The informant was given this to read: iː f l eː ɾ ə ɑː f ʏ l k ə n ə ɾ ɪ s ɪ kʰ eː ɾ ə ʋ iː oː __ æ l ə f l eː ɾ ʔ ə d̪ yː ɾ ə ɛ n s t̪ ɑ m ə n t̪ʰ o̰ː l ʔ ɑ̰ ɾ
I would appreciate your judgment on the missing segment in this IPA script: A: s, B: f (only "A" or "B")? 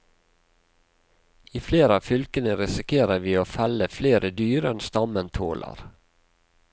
B